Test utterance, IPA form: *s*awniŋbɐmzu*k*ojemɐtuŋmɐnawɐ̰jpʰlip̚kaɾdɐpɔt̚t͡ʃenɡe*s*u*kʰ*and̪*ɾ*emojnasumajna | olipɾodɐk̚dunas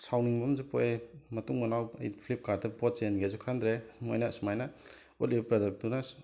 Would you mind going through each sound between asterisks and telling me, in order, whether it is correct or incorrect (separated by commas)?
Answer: correct, incorrect, incorrect, correct, correct